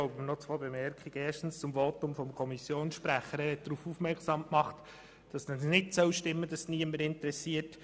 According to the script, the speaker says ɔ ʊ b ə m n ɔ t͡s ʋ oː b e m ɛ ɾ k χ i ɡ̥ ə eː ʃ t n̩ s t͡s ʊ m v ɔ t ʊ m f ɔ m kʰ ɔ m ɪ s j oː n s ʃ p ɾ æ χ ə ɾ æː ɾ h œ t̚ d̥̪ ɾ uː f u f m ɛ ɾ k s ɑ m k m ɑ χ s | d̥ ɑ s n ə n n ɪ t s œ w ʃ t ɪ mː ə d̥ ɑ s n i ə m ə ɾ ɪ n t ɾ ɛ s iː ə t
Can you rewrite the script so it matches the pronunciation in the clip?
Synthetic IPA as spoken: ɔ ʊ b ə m n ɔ t͡s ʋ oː b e m ɛ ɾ k χ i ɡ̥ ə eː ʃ t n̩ s t͡s ʊ m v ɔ t ʊ m f ɔ m kʰ ɔ m i s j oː n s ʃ p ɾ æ χ ə ɾ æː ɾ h ɛ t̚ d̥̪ ɾ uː f u f m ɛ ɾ k s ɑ m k m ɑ χ t | d̥ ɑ s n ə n n ɪ t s œ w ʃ t ɪ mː ə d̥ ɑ s n i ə m ə ɾ ɪ n t ɾ ɛ s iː ə t